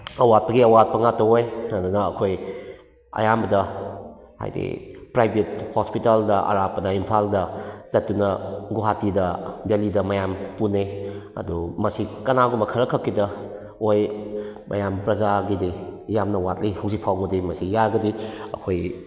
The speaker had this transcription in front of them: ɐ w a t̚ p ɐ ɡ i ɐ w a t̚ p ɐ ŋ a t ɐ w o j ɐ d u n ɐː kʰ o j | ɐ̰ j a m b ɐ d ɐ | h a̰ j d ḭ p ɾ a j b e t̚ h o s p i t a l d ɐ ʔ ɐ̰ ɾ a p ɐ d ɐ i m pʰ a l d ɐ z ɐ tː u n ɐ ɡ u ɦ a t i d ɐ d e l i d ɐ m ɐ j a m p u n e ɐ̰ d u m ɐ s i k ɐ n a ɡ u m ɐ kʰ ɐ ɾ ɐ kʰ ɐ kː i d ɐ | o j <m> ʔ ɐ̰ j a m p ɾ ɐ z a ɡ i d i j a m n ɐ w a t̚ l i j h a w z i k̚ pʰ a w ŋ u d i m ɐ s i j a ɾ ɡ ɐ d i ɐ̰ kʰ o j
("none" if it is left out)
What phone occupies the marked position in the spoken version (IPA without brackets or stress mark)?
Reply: m